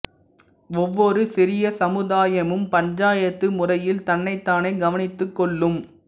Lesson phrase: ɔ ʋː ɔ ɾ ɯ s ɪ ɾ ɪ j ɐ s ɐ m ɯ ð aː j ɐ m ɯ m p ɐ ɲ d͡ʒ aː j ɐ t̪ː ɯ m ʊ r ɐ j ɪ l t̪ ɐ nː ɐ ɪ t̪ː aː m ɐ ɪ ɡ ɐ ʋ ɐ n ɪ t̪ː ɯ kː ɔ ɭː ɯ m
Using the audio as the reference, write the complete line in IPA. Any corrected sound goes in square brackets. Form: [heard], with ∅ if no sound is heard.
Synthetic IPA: ɔ ʋː ɔ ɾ ɯ s ɪ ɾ ɪ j ɐ s ɐ m ɯ ð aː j ɐ m ɯ m p ɐ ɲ d͡ʒ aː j ɐ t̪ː ɯ m ʊ r ɐ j ɪ l t̪ ɐ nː ɐ ɪ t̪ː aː [n] ɐ ɪ ɡ ɐ ʋ ɐ n ɪ t̪ː ɯ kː ɔ ɭː ɯ m

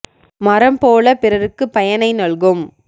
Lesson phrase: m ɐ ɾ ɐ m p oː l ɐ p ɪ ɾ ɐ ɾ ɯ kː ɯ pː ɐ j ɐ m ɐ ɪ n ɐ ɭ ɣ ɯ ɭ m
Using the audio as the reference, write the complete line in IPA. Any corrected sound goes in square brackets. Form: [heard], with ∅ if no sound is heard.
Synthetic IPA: m ɐ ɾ ɐ m p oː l ɐ p ɪ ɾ ɐ ɾ ɯ kː ɯ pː ɐ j ɐ [n] ɐ ɪ n ɐ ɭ ɣ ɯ [∅] m

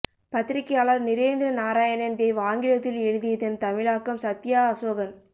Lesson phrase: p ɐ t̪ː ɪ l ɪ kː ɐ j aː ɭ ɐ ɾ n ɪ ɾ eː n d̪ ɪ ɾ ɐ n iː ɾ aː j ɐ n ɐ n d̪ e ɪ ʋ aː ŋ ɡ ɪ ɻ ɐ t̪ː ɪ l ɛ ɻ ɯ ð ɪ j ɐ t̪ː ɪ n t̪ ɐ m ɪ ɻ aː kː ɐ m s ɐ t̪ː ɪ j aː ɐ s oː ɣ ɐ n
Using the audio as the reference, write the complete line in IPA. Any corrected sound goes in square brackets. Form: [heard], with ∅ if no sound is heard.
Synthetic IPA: p ɐ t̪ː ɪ [ɾ] ɪ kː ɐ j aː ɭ ɐ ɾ n ɪ ɾ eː n d̪ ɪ ɾ ɐ n [aː] ɾ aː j ɐ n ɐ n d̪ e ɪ ʋ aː ŋ ɡ ɪ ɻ ɐ t̪ː ɪ l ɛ ɻ ɯ ð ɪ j ɐ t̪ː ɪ n t̪ ɐ m ɪ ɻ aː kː ɐ m s ɐ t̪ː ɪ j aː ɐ s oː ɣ ɐ n

